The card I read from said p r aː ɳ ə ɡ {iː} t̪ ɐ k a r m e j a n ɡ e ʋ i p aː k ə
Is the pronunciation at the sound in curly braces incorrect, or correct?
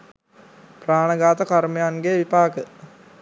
incorrect